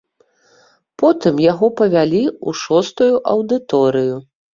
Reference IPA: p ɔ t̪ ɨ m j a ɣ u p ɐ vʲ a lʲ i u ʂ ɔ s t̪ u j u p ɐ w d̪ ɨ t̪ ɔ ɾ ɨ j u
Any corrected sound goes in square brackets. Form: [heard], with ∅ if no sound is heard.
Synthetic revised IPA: p ɔ t̪ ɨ m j a ɣ [ɔ] p ɐ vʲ a lʲ i u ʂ ɔ s t̪ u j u [ʔ] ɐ w d̪ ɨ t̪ ɔ ɾ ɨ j u